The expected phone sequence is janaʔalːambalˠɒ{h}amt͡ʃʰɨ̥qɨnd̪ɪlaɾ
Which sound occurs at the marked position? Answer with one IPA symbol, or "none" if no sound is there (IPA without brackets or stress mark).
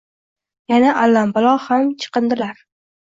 h